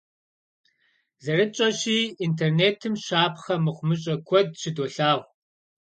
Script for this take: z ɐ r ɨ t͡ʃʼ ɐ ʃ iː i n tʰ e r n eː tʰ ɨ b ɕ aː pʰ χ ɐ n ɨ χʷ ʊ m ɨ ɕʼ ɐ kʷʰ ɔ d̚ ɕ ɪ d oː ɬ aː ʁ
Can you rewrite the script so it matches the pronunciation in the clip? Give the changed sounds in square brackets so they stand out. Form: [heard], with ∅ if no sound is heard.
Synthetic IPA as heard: z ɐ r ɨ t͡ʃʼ ɐ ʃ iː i n tʰ e r n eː tʰ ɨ [m] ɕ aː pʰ χ ɐ [m] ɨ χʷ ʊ m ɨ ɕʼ ɐ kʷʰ ɔ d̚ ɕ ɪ d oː ɬ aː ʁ